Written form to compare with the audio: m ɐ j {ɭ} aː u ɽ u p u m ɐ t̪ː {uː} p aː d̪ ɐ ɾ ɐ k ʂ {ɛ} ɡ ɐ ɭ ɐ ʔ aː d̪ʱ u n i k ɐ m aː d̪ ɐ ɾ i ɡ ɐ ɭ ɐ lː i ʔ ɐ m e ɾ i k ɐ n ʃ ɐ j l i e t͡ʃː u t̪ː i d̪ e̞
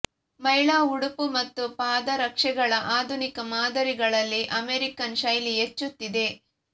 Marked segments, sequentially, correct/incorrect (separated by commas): correct, incorrect, correct